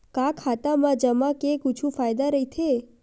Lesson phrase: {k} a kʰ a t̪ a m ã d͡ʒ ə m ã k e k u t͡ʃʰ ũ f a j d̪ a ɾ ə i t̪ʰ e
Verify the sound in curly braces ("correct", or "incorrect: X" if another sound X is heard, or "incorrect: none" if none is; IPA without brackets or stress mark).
correct